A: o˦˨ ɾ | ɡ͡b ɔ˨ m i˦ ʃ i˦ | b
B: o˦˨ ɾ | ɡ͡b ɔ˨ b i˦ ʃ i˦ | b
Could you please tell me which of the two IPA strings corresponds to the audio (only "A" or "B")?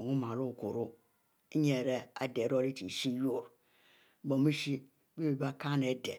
A